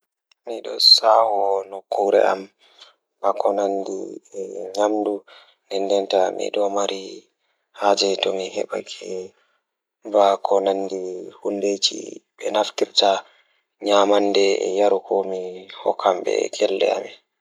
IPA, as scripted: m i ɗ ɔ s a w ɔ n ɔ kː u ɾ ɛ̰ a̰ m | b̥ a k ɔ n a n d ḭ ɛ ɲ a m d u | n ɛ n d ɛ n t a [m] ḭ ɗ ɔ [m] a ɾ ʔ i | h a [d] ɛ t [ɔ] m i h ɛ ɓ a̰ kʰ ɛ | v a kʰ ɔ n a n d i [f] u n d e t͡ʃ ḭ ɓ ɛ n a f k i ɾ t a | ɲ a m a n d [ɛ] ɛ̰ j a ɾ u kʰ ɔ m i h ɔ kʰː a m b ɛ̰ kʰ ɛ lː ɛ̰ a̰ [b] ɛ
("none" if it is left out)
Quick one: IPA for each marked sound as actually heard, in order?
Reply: m, m, d͡ʒ, ɔ, h, ɛ, m

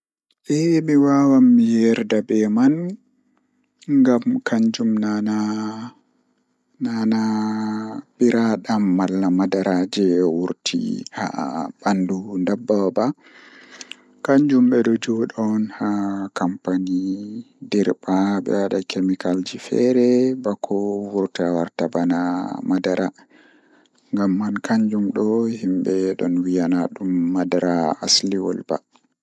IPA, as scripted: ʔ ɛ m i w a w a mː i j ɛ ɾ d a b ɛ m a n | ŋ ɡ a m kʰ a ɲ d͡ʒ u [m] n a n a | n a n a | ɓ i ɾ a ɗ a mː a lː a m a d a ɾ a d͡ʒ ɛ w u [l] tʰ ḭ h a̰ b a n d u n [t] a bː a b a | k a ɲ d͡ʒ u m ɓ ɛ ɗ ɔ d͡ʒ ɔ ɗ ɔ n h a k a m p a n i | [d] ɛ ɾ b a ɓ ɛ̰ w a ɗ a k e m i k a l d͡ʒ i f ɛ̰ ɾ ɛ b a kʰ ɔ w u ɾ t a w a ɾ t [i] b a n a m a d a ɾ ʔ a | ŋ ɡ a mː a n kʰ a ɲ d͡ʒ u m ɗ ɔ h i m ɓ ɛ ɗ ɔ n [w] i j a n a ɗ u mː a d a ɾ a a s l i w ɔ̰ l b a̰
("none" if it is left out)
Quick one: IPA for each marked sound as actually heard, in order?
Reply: m, ɾ, d, d, a, w

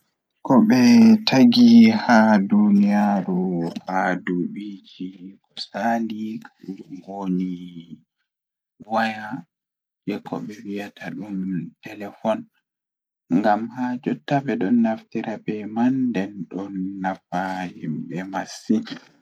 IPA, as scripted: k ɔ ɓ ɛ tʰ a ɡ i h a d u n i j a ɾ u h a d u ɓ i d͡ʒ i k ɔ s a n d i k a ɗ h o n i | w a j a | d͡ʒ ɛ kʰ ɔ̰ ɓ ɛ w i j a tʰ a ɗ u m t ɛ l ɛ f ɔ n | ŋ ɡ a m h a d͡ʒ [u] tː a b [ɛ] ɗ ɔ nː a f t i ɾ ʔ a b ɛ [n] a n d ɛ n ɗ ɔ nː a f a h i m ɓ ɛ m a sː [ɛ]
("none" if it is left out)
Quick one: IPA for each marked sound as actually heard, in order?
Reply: ɔ, ɛ, m, i

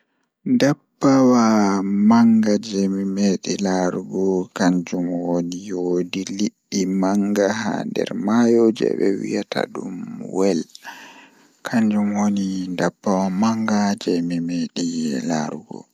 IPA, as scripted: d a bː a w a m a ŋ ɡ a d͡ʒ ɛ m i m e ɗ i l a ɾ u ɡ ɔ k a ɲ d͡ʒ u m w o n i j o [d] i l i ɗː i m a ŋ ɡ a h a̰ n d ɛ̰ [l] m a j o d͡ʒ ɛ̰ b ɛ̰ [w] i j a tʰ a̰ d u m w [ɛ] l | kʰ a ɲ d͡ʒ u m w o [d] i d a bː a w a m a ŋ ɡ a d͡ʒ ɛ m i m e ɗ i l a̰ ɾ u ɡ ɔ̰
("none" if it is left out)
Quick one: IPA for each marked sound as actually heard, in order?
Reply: d, ɾ, w, ɛ, n

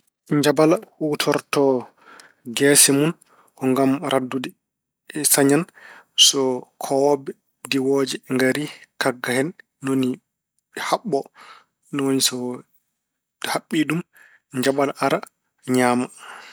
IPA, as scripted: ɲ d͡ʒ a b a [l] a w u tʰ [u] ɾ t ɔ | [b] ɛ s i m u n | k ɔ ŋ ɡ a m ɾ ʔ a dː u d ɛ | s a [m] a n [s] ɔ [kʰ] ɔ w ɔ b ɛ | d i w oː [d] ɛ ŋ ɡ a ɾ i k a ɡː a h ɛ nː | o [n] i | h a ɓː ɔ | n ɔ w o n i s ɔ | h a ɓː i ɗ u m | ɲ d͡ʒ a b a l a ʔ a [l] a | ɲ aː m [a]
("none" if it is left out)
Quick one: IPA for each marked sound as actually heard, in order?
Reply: l, ɔ, ɡ, ɲ, s, kʰ, d͡ʒ, n, ɾ, a

